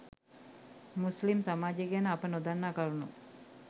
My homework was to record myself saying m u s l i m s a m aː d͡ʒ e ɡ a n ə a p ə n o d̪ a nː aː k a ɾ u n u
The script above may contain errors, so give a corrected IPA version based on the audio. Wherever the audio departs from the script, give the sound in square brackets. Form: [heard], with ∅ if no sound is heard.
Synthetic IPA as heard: m u s l i m s a m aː d͡ʒ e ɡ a n ə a p ə n o d̪ a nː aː k a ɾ u n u